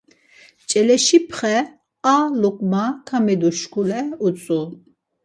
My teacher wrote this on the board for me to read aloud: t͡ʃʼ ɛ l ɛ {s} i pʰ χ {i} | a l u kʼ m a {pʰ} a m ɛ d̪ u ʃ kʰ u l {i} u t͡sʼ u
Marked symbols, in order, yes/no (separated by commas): no, no, no, no